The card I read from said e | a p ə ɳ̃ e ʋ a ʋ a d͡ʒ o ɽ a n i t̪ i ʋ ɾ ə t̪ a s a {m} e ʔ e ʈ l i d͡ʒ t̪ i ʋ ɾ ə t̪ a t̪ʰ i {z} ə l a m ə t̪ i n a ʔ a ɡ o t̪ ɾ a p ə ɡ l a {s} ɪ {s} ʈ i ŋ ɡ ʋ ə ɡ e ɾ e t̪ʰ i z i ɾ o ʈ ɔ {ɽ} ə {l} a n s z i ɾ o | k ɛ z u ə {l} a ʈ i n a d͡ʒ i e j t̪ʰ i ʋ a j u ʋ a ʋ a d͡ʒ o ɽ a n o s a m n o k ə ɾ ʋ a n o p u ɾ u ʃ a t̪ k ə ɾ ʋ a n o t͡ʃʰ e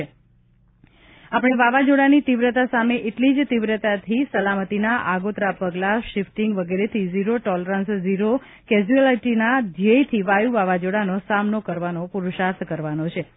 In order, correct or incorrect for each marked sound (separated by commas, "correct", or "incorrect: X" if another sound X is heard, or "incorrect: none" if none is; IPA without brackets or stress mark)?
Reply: correct, incorrect: s, incorrect: ʃ, incorrect: f, incorrect: l, incorrect: ɾ, correct